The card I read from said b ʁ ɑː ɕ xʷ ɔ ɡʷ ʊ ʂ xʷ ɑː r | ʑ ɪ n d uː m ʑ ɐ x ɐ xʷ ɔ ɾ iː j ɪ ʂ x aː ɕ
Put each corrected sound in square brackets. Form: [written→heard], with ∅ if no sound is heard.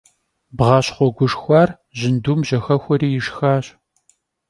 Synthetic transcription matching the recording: b ʁ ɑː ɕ [xʷ→χʷ] ɔ ɡʷ ʊ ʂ xʷ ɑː r | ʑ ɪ n d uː m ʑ ɐ x ɐ xʷ ɔ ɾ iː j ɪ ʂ x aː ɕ